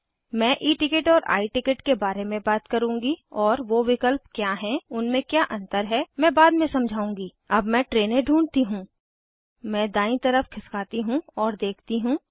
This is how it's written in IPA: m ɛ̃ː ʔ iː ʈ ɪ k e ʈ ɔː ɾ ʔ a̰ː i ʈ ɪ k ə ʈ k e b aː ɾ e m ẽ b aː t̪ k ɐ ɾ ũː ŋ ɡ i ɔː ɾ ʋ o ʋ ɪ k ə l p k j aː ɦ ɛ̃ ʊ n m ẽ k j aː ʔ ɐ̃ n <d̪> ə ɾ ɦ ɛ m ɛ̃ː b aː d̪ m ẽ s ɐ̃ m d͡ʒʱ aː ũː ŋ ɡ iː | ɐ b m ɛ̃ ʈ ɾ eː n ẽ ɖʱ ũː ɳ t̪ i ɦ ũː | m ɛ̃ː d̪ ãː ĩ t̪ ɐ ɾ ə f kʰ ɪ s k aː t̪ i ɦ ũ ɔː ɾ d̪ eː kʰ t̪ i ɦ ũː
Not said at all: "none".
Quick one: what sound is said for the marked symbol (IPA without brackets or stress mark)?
t̪